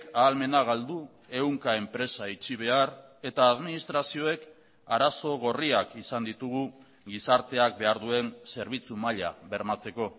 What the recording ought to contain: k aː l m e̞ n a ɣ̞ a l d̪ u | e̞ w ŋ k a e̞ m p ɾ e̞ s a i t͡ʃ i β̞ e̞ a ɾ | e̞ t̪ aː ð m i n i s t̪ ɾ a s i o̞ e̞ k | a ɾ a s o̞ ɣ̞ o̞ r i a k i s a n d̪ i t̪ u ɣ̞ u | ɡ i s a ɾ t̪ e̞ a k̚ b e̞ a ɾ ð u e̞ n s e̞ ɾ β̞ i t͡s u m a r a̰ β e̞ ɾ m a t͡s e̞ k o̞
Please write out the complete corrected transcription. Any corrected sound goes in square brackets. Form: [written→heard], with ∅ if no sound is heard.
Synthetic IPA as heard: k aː l m e̞ n a ɣ̞ a l d̪ u | e̞ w ŋ k a e̞ m p ɾ e̞ s a i t͡ʃ i β̞ e̞ a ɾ | e̞ t̪ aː ð m i n i s t̪ ɾ a s i o̞ e̞ k | a ɾ a s o̞ ɣ̞ o̞ r i a k i s a n d̪ i t̪ u ɣ̞ u | ɡ i s a ɾ t̪ e̞ a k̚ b e̞ a ɾ ð u e̞ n s e̞ ɾ β̞ i t͡s u m a [r→ʎ] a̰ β e̞ ɾ m a t͡s e̞ k o̞